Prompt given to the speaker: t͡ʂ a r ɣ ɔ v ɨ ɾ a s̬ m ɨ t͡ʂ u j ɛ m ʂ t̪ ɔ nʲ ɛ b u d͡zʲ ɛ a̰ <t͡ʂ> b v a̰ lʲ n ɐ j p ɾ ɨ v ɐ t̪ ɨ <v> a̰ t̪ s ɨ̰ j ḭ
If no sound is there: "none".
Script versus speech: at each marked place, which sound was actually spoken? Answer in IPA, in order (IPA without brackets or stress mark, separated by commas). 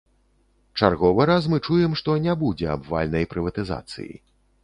none, z